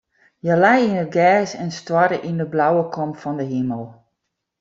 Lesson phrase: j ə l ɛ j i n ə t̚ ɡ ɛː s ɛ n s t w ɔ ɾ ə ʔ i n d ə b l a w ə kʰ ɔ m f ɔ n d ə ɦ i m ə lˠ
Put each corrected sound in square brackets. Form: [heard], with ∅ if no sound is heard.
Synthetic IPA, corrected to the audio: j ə l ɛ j i n ə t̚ ɡ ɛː s ɛ n s t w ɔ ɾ ə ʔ i n d ə b l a w ə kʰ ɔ m f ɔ n d ə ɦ i m ə lˠ

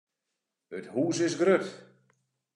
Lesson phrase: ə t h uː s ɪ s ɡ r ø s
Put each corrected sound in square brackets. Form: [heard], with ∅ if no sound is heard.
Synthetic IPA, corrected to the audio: ə t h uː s ɪ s ɡ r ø [t]

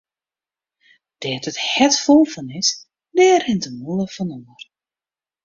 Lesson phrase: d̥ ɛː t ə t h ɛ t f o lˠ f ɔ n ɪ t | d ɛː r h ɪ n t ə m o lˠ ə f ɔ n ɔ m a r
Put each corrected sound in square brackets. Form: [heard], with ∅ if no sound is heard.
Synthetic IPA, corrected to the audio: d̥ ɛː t ə t h ɛ t f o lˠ f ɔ n ɪ [s] | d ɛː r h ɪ n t ə m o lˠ ə f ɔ n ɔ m [ə] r

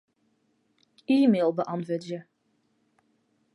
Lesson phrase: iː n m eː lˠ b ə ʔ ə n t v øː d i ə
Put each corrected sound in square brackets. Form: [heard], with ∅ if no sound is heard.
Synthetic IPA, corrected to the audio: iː [∅] m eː lˠ b ə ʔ [ɑ] n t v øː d [j] ə

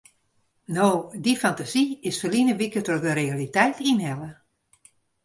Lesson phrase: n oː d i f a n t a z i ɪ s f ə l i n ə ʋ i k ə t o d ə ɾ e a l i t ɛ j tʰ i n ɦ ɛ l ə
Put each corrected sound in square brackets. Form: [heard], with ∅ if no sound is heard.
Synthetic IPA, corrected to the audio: n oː d i f a n t a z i ɪ s f ə l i n ə ʋ i k ə t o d ə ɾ e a l i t ɛ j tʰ i n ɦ ɛ l ə

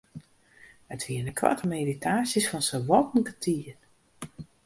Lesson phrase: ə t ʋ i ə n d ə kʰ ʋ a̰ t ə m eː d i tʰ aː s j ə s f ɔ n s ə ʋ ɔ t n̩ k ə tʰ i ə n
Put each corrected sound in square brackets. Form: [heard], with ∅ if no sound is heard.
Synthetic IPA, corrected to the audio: ə t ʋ i ə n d ə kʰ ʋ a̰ t ə m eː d i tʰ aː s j ə s f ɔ n s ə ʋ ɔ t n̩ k ə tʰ i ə n

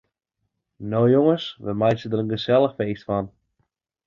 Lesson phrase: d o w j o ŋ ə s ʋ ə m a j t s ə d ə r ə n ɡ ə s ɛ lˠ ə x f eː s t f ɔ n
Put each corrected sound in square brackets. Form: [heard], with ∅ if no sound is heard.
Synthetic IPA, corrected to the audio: [n] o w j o ŋ ə s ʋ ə m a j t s ə d ə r ə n ɡ ə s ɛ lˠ ə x f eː s t f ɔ n

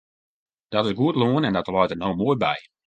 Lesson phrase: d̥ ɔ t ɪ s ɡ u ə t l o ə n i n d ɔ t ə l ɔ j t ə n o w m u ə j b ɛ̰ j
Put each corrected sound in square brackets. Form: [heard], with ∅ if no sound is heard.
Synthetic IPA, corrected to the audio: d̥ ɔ t ɪ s ɡ u ə t l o ə n [ɛ] n d ɔ t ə l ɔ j t ə n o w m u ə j b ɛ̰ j

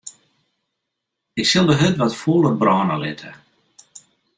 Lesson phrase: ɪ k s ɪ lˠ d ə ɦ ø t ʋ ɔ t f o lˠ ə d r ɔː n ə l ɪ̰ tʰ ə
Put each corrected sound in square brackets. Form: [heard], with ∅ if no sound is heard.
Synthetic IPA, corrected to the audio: ɪ k s ɪ lˠ d ə ɦ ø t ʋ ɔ t f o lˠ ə [b] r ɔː n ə l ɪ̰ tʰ ə

